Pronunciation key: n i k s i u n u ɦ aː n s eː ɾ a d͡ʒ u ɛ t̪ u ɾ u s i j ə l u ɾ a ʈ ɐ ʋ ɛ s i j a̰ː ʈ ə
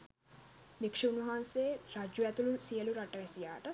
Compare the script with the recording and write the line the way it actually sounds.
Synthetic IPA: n i k ʂ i u n u ɦ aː n s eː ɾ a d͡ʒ u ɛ t̪ u l u s i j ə l u ɾ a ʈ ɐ ʋ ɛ s i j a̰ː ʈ ə